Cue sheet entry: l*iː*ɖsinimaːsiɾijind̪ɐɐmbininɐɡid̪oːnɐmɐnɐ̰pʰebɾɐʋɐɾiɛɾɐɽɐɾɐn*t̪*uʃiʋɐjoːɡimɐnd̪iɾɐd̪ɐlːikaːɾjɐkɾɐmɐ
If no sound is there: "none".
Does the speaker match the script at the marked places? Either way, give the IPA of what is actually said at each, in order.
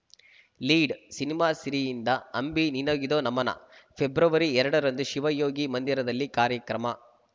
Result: iː, d̪

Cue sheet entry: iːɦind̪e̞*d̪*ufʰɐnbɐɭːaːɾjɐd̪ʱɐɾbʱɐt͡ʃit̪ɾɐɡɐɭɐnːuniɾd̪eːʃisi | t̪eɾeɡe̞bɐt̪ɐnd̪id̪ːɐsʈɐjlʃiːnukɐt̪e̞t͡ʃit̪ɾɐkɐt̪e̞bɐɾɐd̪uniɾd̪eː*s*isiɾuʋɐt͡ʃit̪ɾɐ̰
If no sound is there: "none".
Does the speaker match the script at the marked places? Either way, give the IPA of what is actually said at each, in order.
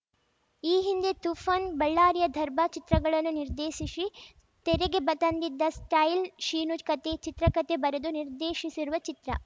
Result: t̪, ʃ

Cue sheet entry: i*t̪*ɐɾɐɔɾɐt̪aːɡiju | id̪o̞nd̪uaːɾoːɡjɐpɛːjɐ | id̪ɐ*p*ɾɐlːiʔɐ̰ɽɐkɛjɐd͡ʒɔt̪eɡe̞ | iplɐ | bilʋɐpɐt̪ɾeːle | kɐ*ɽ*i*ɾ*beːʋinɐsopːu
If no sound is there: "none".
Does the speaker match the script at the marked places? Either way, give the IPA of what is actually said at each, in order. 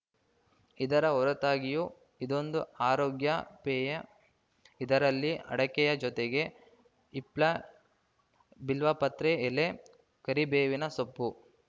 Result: d̪, none, ɾ, none

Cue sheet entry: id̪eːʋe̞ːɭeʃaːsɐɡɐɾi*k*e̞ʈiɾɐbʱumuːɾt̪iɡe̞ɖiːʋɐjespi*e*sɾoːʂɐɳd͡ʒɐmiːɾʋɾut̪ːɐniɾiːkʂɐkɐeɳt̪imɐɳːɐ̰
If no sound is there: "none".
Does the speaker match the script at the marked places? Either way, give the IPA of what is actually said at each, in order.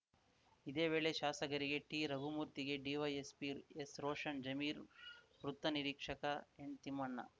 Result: ɡ, e

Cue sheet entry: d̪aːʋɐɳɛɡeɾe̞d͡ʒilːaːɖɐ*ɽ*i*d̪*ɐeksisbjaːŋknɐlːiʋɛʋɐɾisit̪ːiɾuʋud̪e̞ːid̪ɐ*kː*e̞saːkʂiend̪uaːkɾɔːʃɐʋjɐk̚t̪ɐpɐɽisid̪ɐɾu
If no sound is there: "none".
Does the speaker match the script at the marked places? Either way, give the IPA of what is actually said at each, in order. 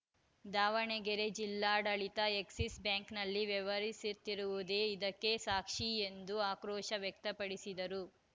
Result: ɭ, t̪, kː

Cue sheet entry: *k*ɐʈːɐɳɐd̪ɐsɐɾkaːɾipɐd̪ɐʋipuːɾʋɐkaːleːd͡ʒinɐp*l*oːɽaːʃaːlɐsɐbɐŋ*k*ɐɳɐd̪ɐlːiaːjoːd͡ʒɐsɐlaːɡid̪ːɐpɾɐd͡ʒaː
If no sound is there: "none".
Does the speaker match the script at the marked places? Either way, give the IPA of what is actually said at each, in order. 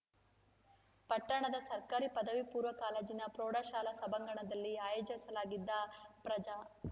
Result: p, ɾ, ɡ

